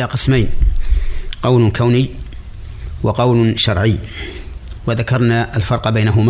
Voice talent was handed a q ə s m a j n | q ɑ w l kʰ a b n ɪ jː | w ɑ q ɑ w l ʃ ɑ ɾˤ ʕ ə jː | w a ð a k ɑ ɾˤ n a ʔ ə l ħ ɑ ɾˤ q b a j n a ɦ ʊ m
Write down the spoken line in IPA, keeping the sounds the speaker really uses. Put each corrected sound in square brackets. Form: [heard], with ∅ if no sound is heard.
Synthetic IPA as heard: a q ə s m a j n | q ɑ w l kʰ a [w] n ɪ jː | w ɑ q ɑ w l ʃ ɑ ɾˤ ʕ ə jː | w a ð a k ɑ ɾˤ n a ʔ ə l [f] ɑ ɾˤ q b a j n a ɦ ʊ m